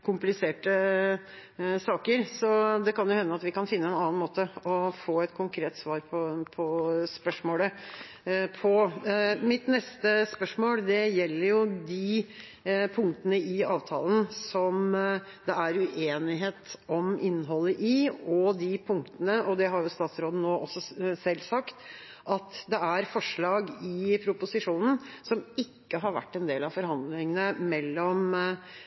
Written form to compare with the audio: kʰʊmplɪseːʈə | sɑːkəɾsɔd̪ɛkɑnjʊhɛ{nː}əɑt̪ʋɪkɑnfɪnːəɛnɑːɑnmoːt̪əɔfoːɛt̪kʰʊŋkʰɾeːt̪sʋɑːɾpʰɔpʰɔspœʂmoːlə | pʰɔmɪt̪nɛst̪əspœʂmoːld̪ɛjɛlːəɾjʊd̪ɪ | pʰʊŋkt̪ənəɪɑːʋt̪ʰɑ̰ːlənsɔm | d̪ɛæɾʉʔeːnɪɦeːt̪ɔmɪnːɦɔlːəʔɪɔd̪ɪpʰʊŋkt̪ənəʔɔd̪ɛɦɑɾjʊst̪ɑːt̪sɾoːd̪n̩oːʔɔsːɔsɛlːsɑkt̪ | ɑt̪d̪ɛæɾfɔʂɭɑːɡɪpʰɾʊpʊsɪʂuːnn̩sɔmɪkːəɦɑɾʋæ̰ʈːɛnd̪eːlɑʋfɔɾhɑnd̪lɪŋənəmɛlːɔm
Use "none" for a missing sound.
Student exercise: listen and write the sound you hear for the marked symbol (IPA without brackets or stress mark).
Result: nː